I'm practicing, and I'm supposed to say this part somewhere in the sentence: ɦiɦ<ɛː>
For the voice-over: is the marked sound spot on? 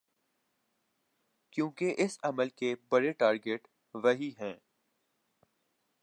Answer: no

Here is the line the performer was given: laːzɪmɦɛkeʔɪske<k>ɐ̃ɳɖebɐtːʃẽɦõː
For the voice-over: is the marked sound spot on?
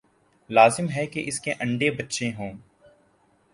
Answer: no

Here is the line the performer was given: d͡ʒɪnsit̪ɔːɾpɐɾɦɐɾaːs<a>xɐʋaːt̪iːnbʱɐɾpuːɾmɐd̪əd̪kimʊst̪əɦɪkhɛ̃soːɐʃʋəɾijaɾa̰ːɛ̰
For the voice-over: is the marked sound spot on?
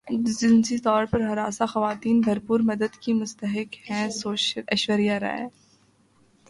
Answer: yes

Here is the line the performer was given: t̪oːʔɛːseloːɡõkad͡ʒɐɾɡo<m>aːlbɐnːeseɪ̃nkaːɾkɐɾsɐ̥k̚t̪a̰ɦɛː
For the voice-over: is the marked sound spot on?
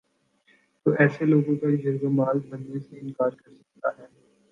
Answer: yes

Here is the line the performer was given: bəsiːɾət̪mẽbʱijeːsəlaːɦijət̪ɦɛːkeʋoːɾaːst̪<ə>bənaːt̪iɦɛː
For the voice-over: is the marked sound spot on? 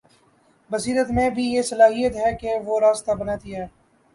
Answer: no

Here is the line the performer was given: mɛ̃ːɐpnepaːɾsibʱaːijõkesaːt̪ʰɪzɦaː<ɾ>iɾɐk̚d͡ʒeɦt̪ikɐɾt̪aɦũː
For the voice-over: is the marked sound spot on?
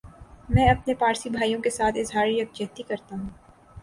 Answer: yes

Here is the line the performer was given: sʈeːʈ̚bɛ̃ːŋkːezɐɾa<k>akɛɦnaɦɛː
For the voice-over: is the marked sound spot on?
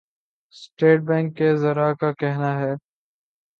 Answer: yes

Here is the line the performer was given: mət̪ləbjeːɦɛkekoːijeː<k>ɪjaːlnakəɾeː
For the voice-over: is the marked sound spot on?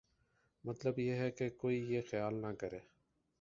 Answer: no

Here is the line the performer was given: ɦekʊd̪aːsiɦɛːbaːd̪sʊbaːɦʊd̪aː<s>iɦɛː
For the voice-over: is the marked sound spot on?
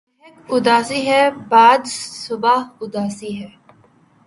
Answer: yes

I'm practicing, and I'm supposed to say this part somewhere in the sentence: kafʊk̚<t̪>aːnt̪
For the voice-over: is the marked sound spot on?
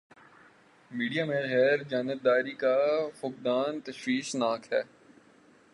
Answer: no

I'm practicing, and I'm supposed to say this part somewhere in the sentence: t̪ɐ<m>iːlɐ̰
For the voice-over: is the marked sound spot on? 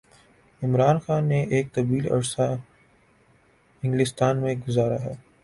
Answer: no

